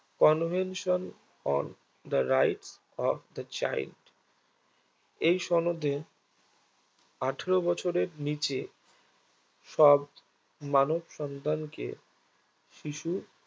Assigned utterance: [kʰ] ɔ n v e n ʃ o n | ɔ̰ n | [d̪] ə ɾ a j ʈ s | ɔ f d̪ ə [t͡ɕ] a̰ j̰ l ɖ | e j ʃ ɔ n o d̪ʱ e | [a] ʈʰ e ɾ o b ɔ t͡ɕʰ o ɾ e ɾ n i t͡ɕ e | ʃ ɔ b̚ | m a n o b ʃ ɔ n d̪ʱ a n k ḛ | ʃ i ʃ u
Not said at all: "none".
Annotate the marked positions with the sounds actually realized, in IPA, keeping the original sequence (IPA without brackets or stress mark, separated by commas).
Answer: k, d̪, t͡ɕ, a